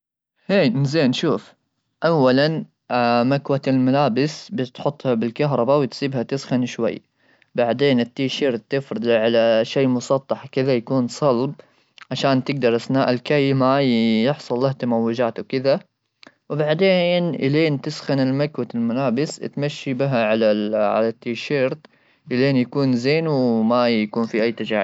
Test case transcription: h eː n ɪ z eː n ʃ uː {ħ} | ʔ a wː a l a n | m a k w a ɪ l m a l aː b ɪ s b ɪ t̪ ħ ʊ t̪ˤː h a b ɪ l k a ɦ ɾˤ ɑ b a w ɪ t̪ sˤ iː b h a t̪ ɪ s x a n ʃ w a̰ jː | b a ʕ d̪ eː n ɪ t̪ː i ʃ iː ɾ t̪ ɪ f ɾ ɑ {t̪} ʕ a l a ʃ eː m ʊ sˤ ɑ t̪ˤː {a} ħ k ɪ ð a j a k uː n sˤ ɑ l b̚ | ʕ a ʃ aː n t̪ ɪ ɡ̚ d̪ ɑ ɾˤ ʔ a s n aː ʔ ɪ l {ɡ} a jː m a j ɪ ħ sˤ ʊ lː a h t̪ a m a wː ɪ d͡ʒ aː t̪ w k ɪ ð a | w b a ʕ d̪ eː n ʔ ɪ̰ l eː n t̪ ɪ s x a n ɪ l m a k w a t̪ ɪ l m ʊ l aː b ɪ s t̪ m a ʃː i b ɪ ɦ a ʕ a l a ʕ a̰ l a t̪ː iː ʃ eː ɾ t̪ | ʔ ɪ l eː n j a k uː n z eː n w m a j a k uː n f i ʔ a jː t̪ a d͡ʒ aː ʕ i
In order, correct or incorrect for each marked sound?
incorrect: f, incorrect: d̪, incorrect: ɑ, incorrect: k

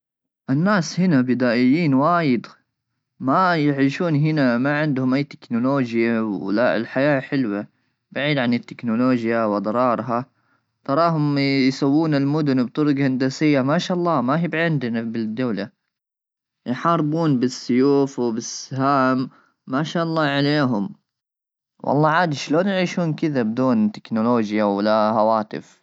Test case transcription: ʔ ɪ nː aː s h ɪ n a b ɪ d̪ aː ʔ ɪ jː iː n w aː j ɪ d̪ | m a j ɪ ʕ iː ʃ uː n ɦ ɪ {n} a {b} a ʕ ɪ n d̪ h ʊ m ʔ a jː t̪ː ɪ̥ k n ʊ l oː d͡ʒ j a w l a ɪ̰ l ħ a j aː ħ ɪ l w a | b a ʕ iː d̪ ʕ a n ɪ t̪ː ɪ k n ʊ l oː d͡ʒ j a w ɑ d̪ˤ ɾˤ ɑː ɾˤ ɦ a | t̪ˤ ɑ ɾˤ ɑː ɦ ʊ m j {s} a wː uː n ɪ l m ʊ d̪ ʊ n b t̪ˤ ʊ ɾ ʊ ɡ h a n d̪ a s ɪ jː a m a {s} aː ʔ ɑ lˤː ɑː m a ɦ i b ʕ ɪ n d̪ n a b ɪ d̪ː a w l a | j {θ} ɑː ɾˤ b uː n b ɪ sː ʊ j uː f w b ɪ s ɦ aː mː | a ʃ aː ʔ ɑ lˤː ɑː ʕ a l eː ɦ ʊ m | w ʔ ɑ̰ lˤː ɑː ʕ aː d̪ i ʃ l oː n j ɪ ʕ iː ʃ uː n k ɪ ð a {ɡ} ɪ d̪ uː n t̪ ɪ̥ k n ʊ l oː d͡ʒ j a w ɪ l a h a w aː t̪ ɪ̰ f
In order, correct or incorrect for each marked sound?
correct, incorrect: m, correct, incorrect: ʃ, incorrect: ħ, incorrect: b

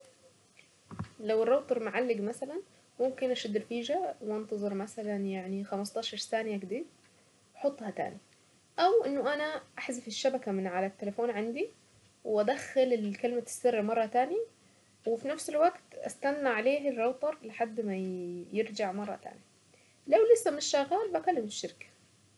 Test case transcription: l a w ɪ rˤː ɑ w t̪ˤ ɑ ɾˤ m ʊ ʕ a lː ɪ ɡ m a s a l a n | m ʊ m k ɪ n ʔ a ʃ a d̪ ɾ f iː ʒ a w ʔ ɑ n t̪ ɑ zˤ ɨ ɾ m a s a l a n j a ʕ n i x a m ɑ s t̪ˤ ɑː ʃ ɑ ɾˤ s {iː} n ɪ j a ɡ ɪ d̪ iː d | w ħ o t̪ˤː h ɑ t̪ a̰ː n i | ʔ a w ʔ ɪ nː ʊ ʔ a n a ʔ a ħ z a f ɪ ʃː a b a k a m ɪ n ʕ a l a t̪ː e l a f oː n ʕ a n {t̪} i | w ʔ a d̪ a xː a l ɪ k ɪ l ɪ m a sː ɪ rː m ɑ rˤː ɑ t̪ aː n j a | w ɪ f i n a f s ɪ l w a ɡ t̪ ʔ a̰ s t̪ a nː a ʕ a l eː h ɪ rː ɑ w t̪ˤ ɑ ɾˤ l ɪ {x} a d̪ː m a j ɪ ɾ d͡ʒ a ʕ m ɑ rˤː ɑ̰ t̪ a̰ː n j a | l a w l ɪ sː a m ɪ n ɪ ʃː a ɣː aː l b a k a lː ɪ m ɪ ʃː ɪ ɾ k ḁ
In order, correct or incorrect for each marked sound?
incorrect: aː, incorrect: d̪, incorrect: ħ

